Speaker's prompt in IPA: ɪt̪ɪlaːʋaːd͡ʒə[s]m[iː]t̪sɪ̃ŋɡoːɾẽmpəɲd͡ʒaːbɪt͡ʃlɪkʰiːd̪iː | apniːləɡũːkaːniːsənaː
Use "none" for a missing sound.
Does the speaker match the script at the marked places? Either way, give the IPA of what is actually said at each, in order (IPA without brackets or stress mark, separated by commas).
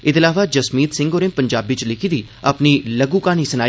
s, iː